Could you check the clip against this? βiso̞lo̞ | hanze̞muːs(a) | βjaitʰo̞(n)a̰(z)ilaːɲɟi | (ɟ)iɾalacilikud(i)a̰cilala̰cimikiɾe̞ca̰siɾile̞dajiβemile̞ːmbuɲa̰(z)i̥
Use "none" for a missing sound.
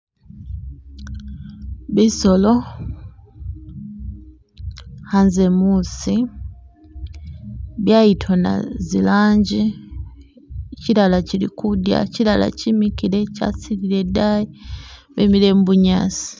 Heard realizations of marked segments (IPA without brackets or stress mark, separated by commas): i, n, z, c, j, s